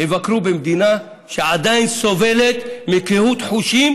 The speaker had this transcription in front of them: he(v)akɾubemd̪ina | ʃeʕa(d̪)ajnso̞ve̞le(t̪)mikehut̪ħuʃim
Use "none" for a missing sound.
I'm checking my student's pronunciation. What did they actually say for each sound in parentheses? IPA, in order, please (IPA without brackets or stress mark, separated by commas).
v, d̪, t̪